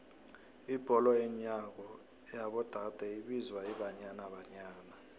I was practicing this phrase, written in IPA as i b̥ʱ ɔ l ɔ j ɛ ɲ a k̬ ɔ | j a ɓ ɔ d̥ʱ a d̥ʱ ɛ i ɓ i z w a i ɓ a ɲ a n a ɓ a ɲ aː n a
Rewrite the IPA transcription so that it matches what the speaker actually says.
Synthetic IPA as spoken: i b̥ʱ ɔ l ɔ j ɛ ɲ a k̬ ɔ | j a ɓ ɔ d̥ʱ a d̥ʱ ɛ i ɓ i z w a i ɓ a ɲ a n a ɓ a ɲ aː n a